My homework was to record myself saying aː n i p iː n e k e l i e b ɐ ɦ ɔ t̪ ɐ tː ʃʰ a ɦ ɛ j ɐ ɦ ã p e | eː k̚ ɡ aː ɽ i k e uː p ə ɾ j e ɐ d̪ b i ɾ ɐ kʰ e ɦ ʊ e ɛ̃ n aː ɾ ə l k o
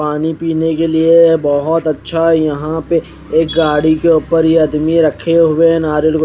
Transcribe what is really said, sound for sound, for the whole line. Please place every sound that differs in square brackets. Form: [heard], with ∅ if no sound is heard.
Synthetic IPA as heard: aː n i p iː n e k e l i e b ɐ ɦ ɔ t̪ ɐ tː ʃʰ a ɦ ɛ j ɐ ɦ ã p e | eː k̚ ɡ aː ɽ i k e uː p ə ɾ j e ɐ d̪ [m] i ɾ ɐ kʰ e ɦ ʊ e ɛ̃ n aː ɾ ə l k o